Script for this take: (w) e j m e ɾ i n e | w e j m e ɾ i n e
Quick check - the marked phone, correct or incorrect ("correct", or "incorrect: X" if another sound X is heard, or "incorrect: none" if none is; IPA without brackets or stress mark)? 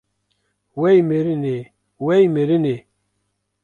correct